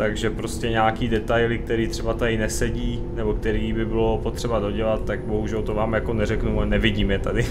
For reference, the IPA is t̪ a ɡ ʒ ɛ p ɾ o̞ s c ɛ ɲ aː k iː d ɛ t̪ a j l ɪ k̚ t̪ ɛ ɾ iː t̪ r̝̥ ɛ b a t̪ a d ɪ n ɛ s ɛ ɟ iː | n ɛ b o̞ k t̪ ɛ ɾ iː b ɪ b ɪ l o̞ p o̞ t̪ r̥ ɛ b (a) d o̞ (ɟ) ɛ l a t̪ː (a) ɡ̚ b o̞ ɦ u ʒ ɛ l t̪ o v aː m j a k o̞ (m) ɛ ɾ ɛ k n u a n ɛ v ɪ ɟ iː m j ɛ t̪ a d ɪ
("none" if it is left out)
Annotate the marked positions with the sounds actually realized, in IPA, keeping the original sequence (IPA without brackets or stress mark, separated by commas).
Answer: a, ɟ, a, n